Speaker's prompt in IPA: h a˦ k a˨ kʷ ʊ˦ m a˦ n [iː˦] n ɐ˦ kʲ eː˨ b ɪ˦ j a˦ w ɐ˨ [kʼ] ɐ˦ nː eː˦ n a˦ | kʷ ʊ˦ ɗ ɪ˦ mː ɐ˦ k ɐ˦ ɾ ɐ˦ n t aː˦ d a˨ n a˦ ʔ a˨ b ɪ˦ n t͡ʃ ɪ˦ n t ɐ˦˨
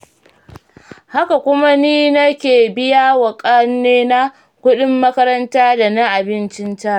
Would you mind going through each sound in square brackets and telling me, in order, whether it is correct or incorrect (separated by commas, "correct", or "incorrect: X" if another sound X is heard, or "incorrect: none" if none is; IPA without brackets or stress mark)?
correct, correct